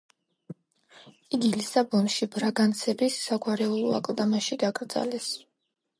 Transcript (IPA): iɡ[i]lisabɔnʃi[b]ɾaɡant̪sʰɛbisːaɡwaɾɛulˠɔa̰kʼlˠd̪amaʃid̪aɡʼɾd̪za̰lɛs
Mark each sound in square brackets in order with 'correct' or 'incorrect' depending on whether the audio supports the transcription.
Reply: correct, correct

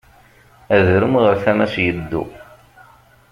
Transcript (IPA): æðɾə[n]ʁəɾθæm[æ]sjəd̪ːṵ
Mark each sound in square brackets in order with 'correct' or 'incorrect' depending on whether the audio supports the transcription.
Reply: incorrect: m, correct

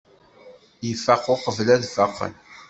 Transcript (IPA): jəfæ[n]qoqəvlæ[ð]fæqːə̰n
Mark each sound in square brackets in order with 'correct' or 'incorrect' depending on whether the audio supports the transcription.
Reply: incorrect: none, correct

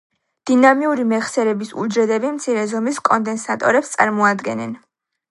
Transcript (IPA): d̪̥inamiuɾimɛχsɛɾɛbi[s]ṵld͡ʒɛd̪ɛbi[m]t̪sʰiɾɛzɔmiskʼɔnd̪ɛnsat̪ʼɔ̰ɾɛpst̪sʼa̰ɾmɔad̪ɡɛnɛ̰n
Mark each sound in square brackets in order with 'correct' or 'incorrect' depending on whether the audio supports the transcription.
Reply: correct, correct

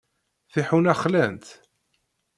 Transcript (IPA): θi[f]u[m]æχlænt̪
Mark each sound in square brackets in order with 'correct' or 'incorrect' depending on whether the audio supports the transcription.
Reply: incorrect: ħ, incorrect: n

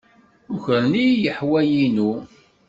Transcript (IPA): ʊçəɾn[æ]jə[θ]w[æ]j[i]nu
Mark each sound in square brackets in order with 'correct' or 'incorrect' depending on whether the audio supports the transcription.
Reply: incorrect: i, incorrect: ħ, correct, correct

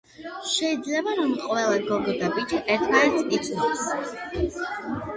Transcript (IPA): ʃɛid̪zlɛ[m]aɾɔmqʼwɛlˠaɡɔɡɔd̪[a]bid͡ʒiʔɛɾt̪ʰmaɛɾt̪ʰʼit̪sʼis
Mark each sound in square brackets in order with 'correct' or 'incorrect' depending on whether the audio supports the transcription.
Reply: incorrect: b, correct

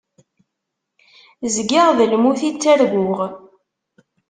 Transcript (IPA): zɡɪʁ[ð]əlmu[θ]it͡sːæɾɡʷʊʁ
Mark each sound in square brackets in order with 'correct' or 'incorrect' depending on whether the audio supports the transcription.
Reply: correct, correct

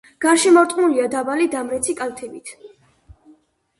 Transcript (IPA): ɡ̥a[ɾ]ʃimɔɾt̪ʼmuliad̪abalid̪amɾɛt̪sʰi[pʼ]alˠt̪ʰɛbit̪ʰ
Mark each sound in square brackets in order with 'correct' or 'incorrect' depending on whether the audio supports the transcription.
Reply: correct, incorrect: kʼ

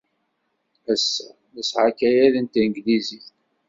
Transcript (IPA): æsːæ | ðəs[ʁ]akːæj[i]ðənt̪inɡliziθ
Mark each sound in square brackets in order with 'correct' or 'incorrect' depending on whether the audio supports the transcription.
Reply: incorrect: ʕ, incorrect: æ

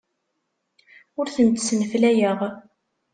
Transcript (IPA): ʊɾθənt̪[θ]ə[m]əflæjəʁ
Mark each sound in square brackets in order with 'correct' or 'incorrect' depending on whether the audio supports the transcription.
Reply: incorrect: s, incorrect: n

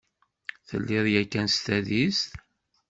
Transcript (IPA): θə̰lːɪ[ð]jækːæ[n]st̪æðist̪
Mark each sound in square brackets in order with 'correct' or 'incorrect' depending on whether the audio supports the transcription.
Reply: correct, correct

